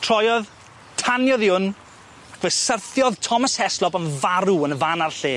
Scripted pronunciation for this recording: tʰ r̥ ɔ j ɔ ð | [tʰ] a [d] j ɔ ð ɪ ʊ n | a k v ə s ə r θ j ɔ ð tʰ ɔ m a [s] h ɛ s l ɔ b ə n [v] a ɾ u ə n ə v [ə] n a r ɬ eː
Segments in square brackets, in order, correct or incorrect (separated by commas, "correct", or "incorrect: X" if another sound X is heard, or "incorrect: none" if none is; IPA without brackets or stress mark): correct, incorrect: n, correct, correct, incorrect: a